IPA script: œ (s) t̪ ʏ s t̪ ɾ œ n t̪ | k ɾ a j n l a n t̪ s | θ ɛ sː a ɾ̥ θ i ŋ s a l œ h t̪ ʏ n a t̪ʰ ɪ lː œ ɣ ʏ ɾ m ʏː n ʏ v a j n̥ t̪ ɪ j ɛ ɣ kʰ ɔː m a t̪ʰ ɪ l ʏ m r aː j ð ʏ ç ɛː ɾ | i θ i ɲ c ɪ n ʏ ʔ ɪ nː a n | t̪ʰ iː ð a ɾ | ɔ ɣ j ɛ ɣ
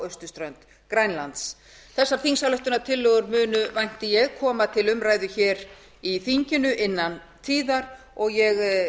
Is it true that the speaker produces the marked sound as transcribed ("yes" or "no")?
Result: yes